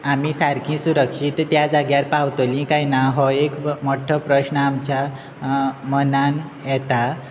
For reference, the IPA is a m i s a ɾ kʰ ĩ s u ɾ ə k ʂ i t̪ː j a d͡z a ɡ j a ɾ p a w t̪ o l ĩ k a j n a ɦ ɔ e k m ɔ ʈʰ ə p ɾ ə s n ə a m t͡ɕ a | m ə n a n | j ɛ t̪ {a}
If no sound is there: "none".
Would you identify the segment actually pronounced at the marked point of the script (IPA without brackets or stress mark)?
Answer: a